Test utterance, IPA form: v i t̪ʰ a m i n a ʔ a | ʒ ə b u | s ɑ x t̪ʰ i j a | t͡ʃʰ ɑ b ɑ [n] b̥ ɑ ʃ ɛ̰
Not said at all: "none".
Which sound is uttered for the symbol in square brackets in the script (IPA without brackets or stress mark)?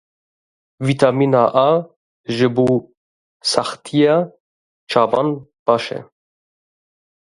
n